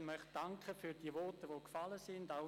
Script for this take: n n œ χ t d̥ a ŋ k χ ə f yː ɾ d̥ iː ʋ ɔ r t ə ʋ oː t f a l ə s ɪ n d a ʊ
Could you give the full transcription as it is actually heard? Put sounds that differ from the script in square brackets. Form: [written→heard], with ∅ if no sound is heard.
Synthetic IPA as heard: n [n→m] œ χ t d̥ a ŋ k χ ə f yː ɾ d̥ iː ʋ ɔ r t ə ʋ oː [t→k] f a l ə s ɪ n d a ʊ